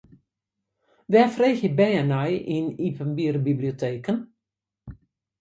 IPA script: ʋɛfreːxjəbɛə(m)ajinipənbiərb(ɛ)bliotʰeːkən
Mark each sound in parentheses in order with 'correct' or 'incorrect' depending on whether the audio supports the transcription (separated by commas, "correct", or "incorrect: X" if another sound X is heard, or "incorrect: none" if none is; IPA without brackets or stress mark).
incorrect: n, incorrect: i